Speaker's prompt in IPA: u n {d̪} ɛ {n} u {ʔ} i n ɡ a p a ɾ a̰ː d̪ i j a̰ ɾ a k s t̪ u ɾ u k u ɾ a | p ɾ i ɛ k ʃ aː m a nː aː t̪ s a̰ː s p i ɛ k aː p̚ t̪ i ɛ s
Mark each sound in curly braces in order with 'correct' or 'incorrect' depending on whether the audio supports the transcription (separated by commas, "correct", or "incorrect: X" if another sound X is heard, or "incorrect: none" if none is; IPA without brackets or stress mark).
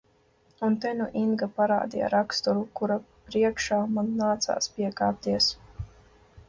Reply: incorrect: t̪, correct, correct